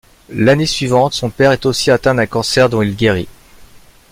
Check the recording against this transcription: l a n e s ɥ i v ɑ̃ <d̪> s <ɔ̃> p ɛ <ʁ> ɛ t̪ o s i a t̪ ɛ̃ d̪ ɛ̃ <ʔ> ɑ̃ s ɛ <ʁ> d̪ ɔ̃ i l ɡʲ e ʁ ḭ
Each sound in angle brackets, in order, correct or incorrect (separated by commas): incorrect, correct, correct, incorrect, correct